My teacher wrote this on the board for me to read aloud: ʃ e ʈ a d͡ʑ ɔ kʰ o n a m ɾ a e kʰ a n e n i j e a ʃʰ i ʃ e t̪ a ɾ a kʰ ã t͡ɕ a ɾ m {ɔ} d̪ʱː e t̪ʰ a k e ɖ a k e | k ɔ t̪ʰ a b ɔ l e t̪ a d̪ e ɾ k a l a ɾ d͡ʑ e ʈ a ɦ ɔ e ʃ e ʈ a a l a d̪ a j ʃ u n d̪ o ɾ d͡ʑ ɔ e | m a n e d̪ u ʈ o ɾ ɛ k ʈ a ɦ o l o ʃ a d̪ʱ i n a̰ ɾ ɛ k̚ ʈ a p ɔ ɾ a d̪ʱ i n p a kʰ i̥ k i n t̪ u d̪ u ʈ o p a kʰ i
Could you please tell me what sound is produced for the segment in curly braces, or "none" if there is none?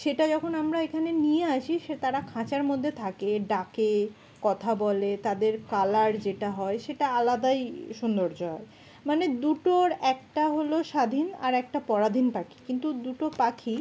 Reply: o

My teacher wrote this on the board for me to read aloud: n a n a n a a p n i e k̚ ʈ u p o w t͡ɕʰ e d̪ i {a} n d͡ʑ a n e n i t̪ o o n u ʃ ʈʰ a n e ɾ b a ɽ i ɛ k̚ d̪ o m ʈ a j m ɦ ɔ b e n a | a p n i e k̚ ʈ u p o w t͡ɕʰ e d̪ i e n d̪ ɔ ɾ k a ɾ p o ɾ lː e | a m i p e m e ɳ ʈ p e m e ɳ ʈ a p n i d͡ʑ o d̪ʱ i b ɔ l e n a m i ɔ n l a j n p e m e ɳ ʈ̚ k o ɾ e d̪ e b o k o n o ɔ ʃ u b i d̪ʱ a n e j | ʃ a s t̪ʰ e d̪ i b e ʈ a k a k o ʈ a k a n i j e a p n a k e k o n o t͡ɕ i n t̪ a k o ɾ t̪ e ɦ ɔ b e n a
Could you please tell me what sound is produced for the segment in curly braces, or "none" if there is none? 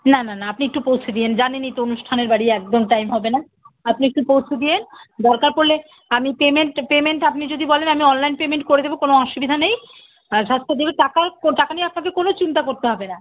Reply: e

